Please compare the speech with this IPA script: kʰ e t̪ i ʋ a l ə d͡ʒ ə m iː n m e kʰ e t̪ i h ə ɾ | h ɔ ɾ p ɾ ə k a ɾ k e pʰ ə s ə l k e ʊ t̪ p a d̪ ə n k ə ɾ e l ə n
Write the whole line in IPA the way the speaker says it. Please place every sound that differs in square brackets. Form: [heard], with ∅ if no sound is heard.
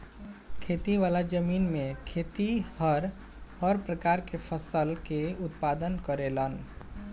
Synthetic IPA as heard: kʰ e t̪ i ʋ a l [a] d͡ʒ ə m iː n m e kʰ e t̪ i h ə ɾ | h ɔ ɾ p ɾ ə k a ɾ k e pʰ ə s ə l k e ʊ t̪ p a d̪ ə n k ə ɾ e l ə n